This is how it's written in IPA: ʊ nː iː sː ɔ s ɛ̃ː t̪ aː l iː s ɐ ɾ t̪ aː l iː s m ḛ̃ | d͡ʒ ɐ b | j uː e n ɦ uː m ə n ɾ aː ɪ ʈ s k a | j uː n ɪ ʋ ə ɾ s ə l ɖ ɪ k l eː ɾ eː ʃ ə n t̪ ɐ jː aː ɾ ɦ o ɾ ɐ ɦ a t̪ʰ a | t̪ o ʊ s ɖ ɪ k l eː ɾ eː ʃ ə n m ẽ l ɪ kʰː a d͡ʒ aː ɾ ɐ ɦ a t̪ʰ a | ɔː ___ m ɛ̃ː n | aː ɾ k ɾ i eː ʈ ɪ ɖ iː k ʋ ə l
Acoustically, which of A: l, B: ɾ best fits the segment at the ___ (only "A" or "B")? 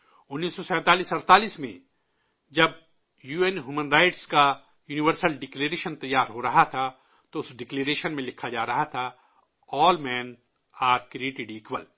A